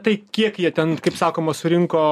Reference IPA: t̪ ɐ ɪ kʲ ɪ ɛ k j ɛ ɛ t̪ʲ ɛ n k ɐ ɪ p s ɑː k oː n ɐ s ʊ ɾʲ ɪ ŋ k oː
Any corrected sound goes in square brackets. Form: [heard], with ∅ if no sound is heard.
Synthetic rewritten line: t̪ ɐ ɪ kʲ [i] ɛ k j [i] ɛ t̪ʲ ɛ n k ɐ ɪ p s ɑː k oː [m] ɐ s ʊ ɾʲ ɪ ŋ k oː